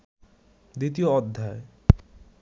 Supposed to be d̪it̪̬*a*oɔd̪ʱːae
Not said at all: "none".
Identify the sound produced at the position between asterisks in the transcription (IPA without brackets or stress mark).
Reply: i